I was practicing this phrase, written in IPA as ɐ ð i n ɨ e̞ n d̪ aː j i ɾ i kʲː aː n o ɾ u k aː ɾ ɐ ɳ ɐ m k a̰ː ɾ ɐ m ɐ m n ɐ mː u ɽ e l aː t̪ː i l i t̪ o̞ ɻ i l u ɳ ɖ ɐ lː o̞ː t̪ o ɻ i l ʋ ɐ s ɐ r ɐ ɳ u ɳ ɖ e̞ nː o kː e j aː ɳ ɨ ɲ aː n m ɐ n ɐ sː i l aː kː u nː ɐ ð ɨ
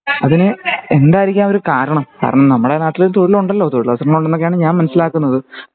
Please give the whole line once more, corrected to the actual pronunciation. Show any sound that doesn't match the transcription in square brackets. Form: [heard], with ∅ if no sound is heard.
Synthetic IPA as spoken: ɐ ð i n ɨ e̞ n d̪ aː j i ɾ i kʲː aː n o ɾ u k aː ɾ ɐ ɳ ɐ m k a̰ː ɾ ɐ [ɳ] ɐ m n ɐ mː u ɽ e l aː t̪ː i l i t̪ o̞ ɻ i l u ɳ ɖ ɐ lː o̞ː t̪ o ɻ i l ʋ ɐ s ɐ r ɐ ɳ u ɳ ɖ e̞ nː o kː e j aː ɳ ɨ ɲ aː n m ɐ n ɐ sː i l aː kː u nː ɐ ð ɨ

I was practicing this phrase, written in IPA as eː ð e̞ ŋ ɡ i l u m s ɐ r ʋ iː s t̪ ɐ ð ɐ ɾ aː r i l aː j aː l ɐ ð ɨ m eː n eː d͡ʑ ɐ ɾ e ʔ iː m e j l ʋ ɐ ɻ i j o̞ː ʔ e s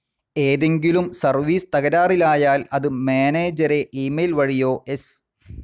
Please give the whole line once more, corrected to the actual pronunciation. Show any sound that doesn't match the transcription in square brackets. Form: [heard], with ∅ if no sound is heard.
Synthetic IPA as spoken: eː ð e̞ ŋ ɡ i l u m s ɐ r ʋ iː s t̪ ɐ [ɣ] ɐ ɾ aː r i l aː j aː l ɐ ð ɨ m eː n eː d͡ʑ ɐ ɾ e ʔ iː m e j l ʋ ɐ ɻ i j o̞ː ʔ e s

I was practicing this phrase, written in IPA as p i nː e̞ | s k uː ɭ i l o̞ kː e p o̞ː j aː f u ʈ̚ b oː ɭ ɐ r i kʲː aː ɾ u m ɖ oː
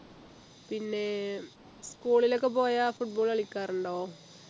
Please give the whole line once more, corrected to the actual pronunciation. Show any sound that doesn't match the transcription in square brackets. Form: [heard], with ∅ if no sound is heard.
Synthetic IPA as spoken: p i nː e̞ | s k uː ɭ i l o̞ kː e p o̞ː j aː f u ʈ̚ b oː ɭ ɐ [ɭ] i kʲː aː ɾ u [ɳ] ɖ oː

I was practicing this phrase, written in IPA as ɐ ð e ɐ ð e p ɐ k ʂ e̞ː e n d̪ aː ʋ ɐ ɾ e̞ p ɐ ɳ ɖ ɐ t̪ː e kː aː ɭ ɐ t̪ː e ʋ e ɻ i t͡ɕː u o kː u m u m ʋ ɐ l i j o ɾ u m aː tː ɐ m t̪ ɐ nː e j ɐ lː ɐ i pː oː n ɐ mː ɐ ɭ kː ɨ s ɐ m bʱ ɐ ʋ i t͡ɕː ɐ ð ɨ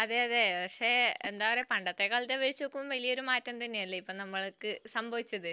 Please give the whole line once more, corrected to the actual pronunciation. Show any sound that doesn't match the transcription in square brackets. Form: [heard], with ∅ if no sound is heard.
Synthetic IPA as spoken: ɐ ð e ɐ ð e p ɐ k ʂ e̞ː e n d̪ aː ʋ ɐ ɾ e̞ p ɐ ɳ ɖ ɐ t̪ː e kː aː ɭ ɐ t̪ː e ʋ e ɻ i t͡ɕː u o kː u m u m ʋ ɐ l i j o ɾ u m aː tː ɐ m t̪ ɐ nː e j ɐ lː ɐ i pː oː n ɐ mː ɐ ɭ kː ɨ s ɐ m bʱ ɐ ʋ i t͡ɕː ɐ ð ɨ

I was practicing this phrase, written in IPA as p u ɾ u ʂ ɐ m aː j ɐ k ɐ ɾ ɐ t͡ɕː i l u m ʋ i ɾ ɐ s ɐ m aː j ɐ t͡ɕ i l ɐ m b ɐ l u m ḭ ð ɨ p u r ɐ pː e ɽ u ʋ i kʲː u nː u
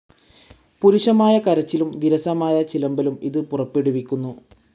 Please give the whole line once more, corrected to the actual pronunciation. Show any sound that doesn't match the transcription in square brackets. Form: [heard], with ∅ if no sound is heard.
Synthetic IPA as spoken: p u ɾ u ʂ ɐ m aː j ɐ k ɐ ɾ ɐ t͡ɕː i l u m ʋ i ɾ ɐ s ɐ m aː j ɐ t͡ɕ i l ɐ m b ɐ l u m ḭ ð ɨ p u r ɐ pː e ɽ u ʋ i kʲː u nː u

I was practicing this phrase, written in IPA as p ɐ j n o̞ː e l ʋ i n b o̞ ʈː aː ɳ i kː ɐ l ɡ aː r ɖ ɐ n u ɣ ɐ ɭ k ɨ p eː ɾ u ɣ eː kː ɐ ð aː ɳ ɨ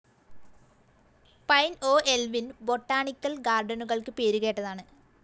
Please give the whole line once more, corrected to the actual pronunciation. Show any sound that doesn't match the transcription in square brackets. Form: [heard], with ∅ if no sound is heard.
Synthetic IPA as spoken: p ɐ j n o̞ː e l ʋ i n b o̞ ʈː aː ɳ i kː ɐ l ɡ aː r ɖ ɐ n u ɣ ɐ ɭ k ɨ p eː ɾ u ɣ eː [ʈː] ɐ ð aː ɳ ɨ

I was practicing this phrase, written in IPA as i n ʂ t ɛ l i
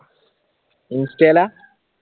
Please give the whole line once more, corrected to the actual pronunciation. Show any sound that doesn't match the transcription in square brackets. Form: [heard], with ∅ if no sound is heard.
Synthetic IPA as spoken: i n [s] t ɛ l [a]

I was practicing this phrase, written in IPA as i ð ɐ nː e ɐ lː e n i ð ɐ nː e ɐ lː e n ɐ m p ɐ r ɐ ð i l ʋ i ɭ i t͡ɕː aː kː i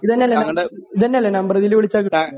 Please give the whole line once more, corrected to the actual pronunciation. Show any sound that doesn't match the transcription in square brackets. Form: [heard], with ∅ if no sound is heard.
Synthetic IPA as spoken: i ð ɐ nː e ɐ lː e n i ð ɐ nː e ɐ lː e n ɐ m [b] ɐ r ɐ ð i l ʋ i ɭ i t͡ɕː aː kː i

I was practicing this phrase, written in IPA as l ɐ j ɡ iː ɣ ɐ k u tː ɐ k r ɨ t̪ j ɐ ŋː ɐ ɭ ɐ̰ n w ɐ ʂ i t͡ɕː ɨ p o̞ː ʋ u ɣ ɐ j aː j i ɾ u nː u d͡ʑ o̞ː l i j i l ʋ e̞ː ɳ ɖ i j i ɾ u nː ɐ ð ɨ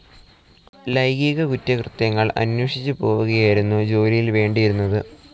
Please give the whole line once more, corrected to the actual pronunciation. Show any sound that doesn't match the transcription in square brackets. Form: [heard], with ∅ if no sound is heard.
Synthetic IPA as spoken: l ɐ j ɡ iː ɣ ɐ k u tː ɐ k r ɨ t̪ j ɐ ŋː ɐ ɭ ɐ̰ n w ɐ ʂ i t͡ɕː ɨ p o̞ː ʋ u ɣ ɐ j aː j i ɾ u nː u d͡ʑ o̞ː l i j i l ʋ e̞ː ɳ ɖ i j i ɾ u nː ɐ ð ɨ

